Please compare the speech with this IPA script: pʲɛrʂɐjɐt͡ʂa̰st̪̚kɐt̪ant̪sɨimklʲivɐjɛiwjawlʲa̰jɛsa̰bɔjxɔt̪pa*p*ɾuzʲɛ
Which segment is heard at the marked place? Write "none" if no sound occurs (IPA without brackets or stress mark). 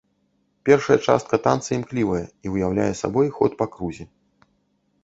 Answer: k